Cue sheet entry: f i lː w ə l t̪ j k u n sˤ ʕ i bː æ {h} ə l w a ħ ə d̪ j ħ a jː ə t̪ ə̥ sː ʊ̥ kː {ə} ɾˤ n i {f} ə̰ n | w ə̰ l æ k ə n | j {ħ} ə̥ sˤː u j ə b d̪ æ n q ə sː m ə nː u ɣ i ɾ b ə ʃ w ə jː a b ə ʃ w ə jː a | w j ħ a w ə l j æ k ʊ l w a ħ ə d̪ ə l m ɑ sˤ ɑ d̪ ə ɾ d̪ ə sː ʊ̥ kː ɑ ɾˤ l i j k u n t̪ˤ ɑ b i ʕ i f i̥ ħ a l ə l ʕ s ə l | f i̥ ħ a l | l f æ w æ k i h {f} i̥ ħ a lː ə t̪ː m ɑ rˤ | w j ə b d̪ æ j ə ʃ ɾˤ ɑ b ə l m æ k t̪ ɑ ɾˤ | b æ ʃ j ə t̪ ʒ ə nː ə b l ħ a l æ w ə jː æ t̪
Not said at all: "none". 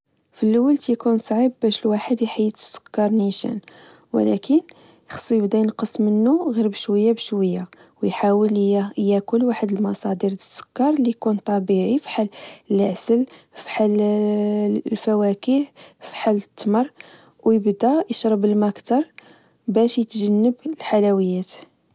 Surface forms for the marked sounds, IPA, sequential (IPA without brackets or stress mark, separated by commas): ʃ, ɑ, ʃ, x, f